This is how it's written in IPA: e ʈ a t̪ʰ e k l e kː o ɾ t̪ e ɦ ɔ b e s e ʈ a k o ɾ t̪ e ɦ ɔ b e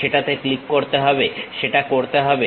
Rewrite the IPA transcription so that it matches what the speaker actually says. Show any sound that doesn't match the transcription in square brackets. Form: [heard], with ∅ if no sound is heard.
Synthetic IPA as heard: e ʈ a [t̪] e k l [i] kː o ɾ t̪ e ɦ ɔ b e [ʃ] e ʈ a k o ɾ t̪ e ɦ ɔ b e